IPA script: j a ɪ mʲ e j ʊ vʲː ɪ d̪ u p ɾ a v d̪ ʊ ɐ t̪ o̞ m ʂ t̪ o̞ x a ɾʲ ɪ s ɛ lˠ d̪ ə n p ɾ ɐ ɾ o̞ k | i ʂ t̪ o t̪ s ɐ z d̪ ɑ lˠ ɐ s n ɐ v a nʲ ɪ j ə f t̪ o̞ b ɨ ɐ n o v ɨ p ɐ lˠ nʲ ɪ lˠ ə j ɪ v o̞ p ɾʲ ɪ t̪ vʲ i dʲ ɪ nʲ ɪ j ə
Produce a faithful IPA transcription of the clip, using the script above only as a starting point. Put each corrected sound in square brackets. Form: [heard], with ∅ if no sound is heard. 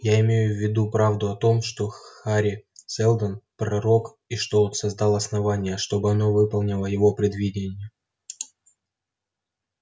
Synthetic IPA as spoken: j a ɪ mʲ e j ʊ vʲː ɪ d̪ u p ɾ a v d̪ ʊ ɐ t̪ o̞ m ʂ t̪ o̞ x a ɾʲ ɪ s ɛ lˠ d̪ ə n p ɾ ɐ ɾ o̞ k | i ʂ t̪ o t̪ s ɐ z d̪ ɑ lˠ ɐ s n ɐ v a nʲ ɪ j ə [ʂ] t̪ o̞ b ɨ ɐ n o v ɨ p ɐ lˠ nʲ ɪ lˠ ə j ɪ v o̞ p ɾʲ ɪ [d̪] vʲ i dʲ ɪ nʲ ɪ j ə